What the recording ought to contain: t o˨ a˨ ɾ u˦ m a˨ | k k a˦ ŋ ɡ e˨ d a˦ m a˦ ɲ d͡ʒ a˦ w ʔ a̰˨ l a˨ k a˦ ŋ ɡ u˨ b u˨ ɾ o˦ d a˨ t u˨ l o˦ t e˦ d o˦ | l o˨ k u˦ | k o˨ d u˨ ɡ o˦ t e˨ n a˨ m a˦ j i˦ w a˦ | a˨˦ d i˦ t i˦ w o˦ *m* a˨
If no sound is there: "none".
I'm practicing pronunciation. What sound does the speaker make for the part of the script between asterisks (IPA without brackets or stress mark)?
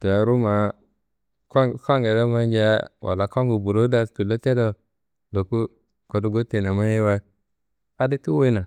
n